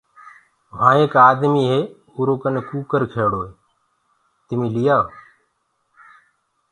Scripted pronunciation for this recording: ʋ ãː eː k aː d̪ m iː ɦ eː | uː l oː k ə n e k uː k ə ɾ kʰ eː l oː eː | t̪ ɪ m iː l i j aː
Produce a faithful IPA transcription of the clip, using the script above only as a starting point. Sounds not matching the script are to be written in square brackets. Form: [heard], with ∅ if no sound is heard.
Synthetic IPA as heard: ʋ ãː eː k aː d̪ m iː ɦ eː | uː [ɾ] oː k ə n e k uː k ə ɾ kʰ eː [ɽ] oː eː | t̪ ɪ m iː l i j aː